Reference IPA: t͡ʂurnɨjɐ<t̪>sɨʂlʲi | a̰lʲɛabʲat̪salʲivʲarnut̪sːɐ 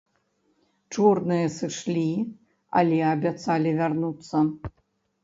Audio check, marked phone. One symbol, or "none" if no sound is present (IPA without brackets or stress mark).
none